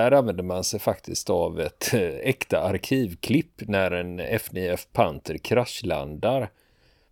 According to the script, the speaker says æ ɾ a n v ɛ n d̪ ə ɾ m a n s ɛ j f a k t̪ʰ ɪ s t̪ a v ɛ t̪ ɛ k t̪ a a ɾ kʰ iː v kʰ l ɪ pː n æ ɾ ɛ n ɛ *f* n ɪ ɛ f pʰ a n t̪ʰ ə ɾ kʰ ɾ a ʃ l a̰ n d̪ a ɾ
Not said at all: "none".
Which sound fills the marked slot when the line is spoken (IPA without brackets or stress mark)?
f